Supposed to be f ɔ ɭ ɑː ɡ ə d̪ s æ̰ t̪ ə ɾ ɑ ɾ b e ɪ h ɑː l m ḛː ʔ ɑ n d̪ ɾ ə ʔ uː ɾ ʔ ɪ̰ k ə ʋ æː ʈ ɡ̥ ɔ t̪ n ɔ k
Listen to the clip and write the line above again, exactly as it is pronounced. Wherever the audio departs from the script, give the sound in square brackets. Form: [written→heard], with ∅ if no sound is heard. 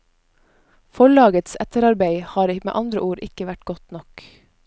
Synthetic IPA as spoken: f ɔ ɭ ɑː ɡ ə [d̪→t̪] s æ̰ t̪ ə ɾ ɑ ɾ b e ɪ h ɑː [l→ɾ] m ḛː ʔ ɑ n d̪ ɾ ə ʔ uː ɾ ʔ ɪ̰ k ə ʋ [æː→æ] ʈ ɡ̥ ɔ t̪ n ɔ k